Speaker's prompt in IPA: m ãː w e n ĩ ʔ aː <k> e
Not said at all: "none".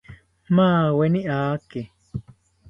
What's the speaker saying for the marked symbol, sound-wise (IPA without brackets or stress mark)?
k